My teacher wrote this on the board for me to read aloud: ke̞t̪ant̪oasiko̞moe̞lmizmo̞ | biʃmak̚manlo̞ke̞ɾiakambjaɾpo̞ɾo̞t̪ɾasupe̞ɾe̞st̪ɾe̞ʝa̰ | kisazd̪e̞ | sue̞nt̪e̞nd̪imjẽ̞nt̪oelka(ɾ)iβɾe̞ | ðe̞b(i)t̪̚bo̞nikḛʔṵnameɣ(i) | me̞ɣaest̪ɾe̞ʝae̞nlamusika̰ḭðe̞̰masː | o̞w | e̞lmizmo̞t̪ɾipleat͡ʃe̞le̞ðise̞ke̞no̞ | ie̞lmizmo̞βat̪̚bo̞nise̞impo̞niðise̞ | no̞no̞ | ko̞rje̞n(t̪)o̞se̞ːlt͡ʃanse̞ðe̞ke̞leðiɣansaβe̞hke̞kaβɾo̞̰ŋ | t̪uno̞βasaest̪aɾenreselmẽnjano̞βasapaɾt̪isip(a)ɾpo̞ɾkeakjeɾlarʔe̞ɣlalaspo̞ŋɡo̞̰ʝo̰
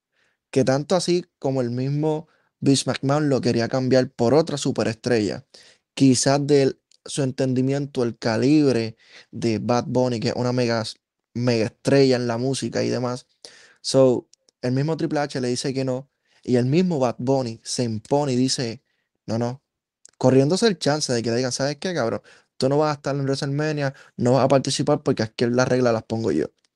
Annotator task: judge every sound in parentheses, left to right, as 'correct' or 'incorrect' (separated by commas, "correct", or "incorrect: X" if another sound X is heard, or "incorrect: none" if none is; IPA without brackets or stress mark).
incorrect: l, incorrect: a, incorrect: a, incorrect: d̪, correct